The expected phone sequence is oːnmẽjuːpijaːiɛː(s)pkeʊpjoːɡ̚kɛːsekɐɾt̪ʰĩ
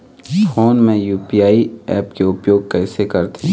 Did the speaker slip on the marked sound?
yes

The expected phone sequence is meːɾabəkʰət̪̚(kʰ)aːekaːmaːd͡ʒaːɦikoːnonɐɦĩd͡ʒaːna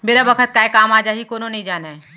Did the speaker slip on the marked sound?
yes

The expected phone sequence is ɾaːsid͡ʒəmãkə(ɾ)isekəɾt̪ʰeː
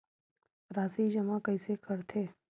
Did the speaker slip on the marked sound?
yes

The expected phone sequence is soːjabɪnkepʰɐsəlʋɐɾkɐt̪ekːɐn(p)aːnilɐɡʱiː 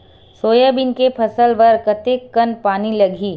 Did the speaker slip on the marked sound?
no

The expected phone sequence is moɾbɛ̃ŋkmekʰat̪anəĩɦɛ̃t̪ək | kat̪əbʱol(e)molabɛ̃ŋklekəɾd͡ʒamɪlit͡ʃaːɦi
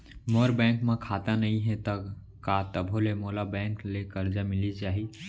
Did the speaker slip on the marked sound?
no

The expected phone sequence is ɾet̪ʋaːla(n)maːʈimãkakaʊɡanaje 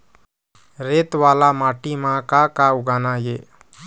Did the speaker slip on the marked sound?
yes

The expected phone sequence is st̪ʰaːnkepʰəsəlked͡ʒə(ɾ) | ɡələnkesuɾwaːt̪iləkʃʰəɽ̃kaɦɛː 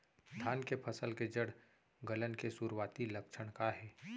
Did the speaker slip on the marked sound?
yes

